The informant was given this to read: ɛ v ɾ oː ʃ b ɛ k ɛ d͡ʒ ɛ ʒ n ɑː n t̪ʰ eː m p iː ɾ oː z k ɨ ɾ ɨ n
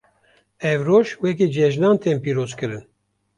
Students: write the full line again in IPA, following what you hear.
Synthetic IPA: ɛ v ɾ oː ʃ w ɛ k i d͡ʒ ɛ ʒ n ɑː n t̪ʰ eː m p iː ɾ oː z k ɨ ɾ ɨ n